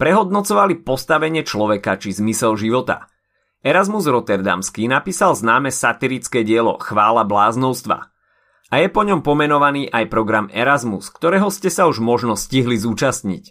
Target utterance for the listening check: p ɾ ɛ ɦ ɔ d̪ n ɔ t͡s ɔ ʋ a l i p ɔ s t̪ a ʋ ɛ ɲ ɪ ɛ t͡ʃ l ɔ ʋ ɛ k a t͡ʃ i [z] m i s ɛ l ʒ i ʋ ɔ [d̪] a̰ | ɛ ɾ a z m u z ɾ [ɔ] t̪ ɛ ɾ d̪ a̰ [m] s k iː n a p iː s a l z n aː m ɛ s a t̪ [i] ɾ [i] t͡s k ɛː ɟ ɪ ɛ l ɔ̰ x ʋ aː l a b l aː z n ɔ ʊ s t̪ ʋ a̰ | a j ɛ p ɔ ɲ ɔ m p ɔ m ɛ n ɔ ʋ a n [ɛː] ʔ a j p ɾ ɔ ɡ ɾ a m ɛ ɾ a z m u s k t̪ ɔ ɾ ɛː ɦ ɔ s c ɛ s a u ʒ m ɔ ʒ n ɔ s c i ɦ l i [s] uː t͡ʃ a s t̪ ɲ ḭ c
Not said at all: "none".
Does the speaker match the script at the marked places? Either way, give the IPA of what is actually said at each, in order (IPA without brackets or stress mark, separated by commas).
z, t̪, ɔ, m, i, i, iː, z